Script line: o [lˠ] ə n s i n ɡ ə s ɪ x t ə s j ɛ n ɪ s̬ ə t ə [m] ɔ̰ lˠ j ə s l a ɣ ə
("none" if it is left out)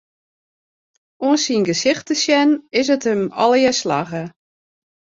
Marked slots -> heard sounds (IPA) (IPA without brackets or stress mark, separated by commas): none, m